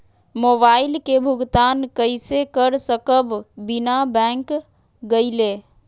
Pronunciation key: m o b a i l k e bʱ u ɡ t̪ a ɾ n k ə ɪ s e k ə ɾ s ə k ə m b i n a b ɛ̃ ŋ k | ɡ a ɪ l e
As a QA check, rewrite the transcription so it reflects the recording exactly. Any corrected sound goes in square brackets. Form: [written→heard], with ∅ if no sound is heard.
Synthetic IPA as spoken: m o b a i l k e bʱ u ɡ t̪ a [ɾ→∅] n k ə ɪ s e k ə ɾ s ə k ə [m→b] b i n a b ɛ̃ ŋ k | ɡ [a→ə] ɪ l e

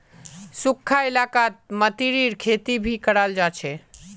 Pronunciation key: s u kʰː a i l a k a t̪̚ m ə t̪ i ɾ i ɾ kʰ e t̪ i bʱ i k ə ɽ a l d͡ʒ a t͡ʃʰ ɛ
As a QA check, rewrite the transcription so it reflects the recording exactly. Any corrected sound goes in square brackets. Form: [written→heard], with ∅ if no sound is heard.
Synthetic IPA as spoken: s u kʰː a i l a k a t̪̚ m ə t̪ i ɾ i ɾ kʰ e t̪ i bʱ i k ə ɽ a l d͡ʒ a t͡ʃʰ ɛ

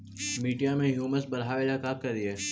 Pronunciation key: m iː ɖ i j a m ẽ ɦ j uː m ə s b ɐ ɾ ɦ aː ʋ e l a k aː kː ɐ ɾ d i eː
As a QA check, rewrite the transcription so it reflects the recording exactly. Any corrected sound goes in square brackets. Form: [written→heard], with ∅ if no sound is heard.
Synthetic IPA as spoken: m iː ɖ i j a m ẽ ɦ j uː m ə s b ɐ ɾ ɦ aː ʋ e l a k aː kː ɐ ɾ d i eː

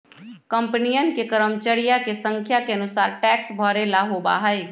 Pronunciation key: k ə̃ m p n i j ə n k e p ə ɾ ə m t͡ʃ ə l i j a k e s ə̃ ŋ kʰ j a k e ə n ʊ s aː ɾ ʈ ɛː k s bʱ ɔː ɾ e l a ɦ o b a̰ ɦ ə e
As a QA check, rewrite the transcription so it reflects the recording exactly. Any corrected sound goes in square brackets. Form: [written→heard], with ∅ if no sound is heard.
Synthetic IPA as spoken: k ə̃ m p n i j ə n k e [p→k] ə ɾ ə m t͡ʃ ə [l→ɽ] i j a k e s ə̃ ŋ kʰ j a k e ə n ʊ s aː ɾ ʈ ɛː k s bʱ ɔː ɾ e l a ɦ o b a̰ ɦ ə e

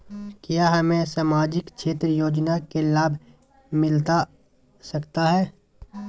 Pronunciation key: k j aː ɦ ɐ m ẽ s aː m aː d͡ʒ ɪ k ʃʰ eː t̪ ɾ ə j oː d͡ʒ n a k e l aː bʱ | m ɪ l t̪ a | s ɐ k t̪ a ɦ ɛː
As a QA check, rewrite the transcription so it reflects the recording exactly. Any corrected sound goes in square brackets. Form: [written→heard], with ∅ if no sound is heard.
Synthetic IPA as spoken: k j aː ɦ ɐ m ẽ s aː m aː d͡ʒ ɪ k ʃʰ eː t̪ ɾ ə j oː d͡ʒ n a k e l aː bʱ | m ɪ l t̪ a | s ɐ k t̪ a ɦ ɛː

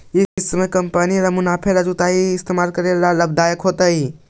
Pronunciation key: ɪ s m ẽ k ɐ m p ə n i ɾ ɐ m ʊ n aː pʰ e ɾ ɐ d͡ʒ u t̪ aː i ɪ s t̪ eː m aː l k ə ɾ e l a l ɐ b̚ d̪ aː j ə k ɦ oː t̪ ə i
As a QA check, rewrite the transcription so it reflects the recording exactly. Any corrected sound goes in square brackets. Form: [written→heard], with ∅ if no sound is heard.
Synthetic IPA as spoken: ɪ s m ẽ k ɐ m p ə n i ɾ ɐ m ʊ n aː pʰ e ɾ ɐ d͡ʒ u t̪ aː i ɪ s t̪ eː m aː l k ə ɾ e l a l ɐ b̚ d̪ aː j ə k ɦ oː t̪ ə i

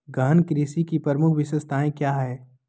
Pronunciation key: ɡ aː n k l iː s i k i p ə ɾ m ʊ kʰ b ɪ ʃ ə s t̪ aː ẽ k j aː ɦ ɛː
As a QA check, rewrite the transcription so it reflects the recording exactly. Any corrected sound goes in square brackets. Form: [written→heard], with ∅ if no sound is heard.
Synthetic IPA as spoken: ɡ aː n k [l→ɾ] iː s i k i p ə ɾ m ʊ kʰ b ɪ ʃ ə s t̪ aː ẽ k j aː ɦ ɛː

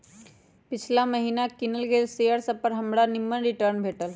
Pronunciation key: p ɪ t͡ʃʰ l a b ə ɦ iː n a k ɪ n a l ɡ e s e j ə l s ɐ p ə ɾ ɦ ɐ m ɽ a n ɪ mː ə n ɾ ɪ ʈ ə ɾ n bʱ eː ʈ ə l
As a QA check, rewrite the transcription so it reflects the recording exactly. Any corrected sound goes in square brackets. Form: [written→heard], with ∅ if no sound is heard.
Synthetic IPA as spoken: p ɪ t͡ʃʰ l a [b→m] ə ɦ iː n a k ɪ n [a→ə] l ɡ e s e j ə [l→ɾ] s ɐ p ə ɾ ɦ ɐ m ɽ a n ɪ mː ə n ɾ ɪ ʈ ə ɾ n bʱ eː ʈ ə l

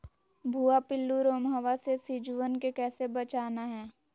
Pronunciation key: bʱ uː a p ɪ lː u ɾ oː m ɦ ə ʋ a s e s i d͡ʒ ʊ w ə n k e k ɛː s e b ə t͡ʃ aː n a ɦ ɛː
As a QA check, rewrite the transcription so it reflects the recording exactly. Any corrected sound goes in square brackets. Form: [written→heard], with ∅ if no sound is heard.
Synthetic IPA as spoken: bʱ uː a p ɪ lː u ɾ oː m ɦ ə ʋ a s e s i d͡ʒ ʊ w ə n k e k ɛː s e b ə t͡ʃ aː n a ɦ ɛː

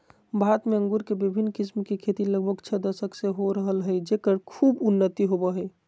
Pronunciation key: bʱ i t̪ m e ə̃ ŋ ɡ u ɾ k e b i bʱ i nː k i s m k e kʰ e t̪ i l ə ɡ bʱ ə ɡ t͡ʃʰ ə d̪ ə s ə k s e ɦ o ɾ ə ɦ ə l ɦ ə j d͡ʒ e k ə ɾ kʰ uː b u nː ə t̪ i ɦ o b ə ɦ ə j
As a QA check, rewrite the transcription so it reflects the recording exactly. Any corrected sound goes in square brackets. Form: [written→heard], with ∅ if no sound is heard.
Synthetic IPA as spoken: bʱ [i→a] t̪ m e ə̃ ŋ ɡ u ɾ k e b i bʱ i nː k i s m k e kʰ e t̪ i l ə ɡ bʱ ə ɡ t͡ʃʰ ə d̪ ə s ə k s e ɦ o ɾ ə ɦ ə l ɦ ə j d͡ʒ e k ə ɾ kʰ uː b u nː ə t̪ i ɦ o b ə ɦ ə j

